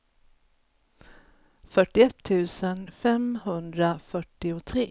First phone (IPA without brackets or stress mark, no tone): f